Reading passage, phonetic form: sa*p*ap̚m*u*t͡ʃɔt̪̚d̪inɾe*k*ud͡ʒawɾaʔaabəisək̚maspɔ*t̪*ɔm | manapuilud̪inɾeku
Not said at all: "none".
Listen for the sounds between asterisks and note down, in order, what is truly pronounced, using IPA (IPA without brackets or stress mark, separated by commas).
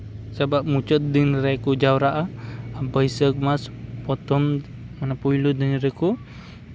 b, u, k, t̪